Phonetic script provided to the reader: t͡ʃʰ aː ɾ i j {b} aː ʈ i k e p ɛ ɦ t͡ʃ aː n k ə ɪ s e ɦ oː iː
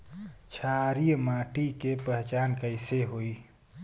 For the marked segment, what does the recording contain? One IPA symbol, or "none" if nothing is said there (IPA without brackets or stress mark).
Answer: m